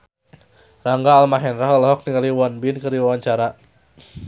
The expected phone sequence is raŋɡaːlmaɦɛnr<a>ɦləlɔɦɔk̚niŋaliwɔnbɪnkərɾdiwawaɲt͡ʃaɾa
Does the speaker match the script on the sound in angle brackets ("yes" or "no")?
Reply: yes